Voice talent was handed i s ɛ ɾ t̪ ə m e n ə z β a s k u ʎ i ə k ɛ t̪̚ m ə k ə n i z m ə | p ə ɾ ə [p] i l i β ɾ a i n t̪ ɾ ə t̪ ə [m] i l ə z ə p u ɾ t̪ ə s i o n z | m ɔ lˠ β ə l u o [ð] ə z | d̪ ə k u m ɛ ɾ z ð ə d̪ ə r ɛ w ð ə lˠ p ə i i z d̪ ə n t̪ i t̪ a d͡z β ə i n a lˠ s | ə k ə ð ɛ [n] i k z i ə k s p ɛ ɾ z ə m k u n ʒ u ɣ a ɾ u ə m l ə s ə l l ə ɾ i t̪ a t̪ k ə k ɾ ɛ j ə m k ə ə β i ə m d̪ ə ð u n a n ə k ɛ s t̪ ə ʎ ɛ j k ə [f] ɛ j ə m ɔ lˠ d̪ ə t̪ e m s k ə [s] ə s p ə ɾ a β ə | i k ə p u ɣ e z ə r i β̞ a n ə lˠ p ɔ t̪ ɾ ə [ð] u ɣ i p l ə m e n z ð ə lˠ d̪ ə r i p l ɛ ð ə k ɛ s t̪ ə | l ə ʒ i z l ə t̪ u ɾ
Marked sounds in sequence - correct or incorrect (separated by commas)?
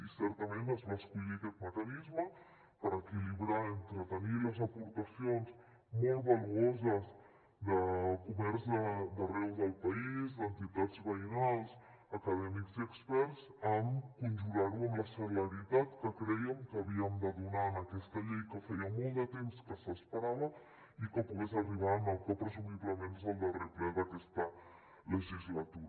incorrect, incorrect, incorrect, incorrect, correct, correct, incorrect